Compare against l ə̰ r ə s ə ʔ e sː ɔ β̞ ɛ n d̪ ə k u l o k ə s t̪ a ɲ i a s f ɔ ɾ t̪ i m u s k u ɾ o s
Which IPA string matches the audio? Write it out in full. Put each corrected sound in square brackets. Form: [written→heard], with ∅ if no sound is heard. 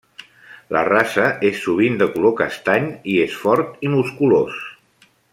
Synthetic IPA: l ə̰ r [ə→a] s ə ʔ e sː [ɔ→u] β̞ [ɛ→i] n d̪ ə k u l o k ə s t̪ a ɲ i [a→e] s f ɔ ɾ t̪ i m u s k u [ɾ→l] o s